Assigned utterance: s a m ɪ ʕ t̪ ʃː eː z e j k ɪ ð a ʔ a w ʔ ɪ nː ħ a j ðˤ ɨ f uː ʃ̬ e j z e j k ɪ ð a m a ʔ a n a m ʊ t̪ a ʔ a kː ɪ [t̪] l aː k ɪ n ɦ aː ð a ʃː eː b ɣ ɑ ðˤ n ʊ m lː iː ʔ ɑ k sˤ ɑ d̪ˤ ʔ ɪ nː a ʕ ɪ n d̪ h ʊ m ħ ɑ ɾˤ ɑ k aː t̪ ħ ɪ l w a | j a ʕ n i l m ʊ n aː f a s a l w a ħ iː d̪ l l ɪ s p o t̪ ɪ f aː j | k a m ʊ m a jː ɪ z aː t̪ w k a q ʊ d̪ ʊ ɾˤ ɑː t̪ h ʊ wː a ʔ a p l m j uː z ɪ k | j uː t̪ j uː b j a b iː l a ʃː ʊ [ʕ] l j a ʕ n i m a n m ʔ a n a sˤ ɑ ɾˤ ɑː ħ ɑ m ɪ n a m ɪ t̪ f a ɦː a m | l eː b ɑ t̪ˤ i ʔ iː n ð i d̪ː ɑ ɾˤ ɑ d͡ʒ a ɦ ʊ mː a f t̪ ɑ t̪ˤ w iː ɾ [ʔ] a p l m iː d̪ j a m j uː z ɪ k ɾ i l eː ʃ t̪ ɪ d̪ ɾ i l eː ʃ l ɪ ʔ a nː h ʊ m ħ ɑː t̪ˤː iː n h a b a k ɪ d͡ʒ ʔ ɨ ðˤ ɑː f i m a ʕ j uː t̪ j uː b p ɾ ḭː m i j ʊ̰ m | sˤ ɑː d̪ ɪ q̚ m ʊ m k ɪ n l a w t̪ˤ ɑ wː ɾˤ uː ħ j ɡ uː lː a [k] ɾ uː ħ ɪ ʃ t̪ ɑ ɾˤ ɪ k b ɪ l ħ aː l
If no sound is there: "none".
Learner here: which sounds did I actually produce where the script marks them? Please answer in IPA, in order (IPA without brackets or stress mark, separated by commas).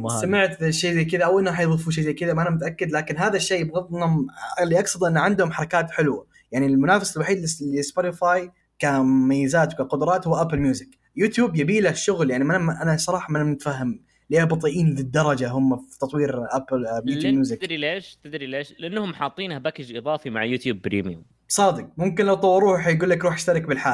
d̪, ɣ, ʔ, k